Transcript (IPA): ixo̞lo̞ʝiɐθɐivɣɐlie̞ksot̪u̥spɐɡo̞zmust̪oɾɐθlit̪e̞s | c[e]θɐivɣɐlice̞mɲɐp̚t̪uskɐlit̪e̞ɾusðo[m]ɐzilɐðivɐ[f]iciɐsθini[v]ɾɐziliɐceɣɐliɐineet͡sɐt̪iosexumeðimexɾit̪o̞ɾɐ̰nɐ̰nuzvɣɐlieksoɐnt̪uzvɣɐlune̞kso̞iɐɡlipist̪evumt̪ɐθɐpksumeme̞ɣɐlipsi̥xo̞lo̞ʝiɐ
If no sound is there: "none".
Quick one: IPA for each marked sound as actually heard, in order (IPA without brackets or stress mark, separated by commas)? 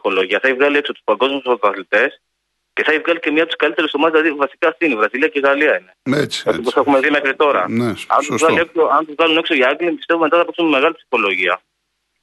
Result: e, m, s, v